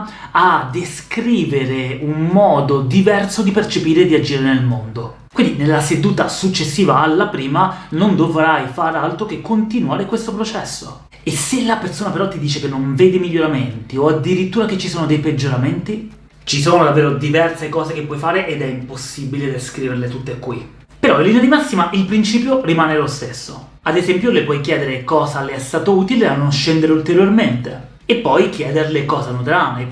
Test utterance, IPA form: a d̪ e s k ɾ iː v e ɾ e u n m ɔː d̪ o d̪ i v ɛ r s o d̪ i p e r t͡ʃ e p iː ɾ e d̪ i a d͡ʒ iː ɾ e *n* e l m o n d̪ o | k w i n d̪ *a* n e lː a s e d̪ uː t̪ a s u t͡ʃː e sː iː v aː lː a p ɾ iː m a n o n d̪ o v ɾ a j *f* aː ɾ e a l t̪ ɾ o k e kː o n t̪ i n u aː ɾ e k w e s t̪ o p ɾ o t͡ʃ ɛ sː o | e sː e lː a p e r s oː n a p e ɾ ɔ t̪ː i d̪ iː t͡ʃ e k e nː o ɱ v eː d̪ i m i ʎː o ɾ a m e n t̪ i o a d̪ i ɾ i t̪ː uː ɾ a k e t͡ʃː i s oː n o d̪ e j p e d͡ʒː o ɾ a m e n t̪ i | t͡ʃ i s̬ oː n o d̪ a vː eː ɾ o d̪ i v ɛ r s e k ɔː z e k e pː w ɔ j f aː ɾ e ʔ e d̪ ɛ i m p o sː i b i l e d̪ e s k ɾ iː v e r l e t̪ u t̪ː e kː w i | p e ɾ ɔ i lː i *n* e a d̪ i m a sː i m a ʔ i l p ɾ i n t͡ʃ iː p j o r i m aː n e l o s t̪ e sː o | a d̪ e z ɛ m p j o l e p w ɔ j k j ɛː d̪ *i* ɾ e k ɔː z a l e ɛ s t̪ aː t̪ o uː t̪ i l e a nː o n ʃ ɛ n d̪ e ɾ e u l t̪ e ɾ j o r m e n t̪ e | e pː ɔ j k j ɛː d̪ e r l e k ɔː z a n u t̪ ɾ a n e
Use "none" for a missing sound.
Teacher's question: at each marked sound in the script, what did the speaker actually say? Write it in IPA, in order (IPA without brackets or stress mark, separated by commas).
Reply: n, i, f, n, e